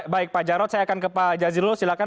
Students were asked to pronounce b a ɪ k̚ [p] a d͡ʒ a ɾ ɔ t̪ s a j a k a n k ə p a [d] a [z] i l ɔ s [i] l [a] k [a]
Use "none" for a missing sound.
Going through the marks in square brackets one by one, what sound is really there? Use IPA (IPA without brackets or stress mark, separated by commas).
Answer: p, d͡ʒ, z, i, a, a